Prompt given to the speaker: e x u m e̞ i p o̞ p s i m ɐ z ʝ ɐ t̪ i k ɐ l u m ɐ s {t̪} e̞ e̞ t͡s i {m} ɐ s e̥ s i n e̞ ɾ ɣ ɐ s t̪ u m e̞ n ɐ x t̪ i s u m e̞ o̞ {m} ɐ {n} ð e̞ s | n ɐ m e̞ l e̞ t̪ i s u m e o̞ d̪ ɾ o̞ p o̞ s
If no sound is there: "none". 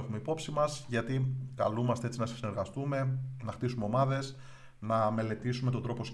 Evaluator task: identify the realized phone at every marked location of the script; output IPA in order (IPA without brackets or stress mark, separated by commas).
t̪, n, m, none